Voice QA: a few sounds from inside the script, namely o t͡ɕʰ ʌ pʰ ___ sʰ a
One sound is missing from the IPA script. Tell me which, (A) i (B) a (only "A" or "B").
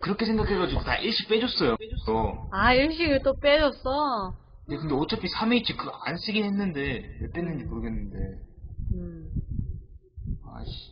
A